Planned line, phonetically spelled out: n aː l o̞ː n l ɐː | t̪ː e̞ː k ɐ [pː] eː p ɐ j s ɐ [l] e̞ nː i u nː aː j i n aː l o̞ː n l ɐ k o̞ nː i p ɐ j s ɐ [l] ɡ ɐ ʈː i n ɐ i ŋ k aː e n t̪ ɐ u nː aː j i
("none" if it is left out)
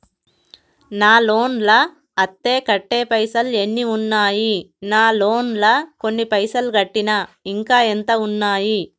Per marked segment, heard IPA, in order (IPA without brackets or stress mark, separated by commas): ʈː, l, l